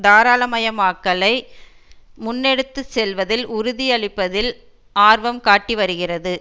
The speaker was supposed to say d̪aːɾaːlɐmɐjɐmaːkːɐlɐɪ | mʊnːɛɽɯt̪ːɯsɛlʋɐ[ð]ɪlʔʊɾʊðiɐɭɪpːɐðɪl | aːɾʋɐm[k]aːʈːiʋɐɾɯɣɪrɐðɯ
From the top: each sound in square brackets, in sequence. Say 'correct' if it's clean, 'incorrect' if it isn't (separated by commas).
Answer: correct, correct